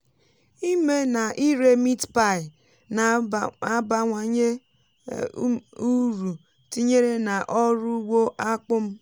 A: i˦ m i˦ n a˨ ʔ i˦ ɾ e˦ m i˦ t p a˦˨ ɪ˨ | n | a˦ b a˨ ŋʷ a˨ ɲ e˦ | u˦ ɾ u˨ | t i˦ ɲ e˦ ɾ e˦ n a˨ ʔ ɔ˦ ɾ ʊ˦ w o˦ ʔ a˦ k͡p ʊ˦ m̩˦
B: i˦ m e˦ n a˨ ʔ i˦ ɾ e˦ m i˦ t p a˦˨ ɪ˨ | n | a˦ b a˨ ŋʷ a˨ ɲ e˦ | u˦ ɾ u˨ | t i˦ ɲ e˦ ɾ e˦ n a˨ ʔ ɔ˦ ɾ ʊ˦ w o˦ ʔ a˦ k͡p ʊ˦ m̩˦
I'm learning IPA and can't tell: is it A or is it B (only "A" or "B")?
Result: B